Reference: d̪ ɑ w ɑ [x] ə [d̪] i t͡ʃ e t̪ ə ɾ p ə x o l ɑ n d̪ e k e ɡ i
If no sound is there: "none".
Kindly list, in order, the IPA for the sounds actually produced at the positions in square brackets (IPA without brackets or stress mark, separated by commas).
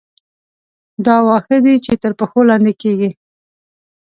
x, d̪